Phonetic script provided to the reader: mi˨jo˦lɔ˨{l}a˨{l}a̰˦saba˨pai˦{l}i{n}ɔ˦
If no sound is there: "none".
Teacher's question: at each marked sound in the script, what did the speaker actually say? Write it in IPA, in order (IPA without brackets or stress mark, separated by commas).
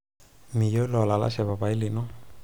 l, l, l, n